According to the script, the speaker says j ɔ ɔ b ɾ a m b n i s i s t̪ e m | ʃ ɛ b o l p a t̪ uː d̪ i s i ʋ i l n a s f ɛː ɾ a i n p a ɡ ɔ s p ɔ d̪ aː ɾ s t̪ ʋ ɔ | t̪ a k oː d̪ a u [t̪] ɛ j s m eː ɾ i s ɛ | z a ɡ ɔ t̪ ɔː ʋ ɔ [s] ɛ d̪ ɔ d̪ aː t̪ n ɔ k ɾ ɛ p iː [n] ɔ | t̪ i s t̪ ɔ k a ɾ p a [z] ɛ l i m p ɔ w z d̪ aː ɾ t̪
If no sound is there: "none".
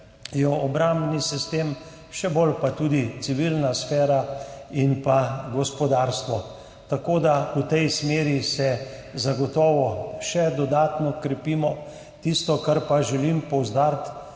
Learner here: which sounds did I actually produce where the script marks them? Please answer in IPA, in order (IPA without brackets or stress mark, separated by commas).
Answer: t̪, ʃ, m, ʒ